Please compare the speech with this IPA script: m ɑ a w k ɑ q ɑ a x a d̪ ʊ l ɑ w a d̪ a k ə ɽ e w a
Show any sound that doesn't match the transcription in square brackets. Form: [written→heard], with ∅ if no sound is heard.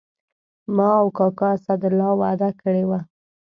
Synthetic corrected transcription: m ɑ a w k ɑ [q→k] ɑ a [x→s] a d̪ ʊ l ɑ w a d̪ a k ə ɽ e w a